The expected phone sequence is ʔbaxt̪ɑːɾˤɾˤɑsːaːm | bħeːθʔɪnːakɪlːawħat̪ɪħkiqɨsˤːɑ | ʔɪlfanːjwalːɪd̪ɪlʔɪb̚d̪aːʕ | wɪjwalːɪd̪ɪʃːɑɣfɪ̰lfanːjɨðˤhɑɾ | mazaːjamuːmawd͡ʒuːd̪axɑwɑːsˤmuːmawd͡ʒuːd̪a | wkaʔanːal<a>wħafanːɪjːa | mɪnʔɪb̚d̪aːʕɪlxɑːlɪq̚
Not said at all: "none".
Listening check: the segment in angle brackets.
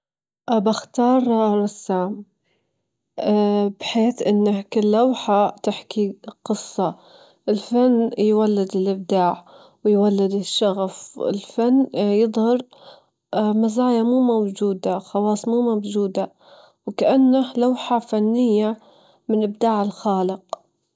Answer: a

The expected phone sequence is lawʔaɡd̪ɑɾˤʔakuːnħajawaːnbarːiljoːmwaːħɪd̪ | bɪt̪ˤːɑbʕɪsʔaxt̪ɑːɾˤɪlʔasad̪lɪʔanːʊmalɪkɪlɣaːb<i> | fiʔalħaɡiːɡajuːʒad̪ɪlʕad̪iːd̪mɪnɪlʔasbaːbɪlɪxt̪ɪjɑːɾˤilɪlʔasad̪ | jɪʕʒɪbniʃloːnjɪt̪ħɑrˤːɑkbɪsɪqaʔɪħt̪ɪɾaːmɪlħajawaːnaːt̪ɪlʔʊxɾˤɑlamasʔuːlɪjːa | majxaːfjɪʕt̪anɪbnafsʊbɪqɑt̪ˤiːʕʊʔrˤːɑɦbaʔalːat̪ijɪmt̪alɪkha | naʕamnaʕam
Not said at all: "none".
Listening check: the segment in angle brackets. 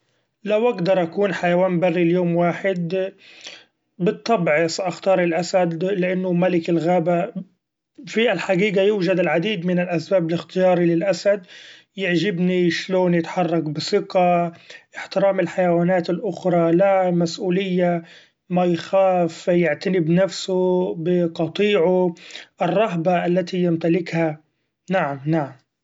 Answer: a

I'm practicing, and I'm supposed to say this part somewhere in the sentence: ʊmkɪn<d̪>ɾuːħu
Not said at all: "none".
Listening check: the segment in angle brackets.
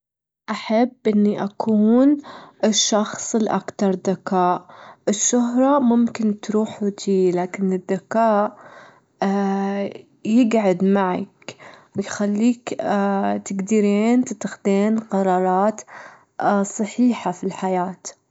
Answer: t̪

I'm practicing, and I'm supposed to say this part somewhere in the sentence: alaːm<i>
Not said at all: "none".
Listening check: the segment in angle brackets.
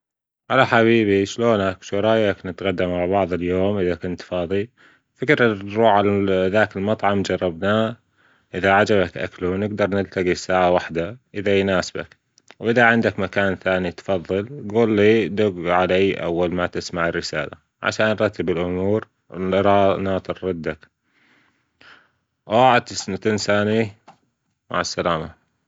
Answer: a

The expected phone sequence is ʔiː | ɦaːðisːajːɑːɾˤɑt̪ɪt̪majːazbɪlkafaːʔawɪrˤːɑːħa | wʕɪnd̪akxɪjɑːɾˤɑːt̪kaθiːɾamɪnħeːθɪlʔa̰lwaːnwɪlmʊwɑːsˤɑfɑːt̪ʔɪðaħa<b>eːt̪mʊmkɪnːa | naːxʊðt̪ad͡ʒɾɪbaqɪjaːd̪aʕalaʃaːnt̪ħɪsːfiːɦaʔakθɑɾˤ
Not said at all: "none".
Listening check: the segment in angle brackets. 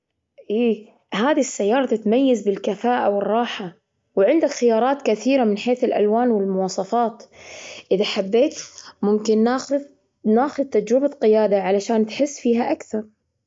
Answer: bː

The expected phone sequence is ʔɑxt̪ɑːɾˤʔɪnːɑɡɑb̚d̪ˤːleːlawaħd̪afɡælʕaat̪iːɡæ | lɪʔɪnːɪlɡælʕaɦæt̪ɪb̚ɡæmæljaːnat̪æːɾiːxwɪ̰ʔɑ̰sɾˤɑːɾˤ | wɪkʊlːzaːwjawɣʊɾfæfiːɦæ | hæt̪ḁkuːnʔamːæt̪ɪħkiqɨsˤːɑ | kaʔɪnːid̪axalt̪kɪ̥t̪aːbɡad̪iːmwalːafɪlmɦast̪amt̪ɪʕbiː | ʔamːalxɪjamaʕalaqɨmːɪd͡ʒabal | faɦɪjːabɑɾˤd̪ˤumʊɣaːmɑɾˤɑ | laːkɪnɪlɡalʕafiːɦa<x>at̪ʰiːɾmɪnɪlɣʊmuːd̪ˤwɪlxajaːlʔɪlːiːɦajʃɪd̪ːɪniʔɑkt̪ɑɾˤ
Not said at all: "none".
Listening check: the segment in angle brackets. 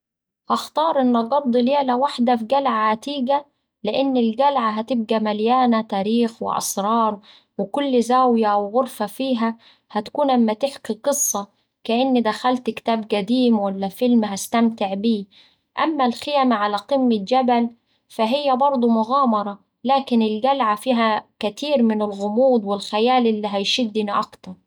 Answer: k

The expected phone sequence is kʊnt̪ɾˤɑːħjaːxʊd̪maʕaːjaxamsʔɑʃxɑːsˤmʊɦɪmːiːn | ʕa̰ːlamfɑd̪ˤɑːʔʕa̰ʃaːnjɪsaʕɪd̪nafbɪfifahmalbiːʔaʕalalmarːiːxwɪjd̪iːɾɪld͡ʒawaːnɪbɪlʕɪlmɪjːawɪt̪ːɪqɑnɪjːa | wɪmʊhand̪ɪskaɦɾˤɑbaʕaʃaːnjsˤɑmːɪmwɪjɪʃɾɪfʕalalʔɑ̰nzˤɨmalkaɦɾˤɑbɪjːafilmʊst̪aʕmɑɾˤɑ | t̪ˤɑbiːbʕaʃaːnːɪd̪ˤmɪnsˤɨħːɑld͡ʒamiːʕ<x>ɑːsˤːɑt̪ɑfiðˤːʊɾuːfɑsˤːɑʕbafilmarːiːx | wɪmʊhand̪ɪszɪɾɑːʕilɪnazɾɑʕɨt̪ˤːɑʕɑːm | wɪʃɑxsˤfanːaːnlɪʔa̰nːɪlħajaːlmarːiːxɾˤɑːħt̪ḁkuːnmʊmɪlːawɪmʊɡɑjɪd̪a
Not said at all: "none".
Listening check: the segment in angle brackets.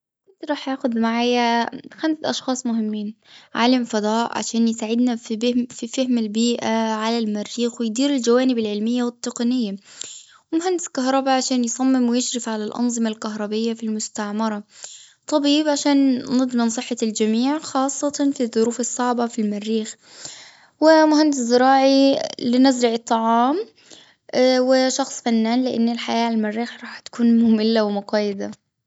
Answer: x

